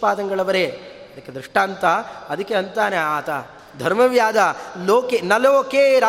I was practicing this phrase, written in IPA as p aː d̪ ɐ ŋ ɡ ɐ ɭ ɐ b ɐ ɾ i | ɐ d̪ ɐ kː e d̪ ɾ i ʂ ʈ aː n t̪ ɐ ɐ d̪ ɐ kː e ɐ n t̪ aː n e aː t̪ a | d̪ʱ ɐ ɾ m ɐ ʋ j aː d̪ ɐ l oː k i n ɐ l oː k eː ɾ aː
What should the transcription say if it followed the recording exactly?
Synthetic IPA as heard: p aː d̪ ɐ ŋ ɡ ɐ ɭ ɐ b ɐ ɾ e | ɐ d̪ ɐ kː e d̪ ɾ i ʂ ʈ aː n t̪ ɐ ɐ d̪ ɐ kː e ɐ n t̪ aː n e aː t̪ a | d̪ʱ ɐ ɾ m ɐ ʋ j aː d̪ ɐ l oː k e n ɐ l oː k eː ɾ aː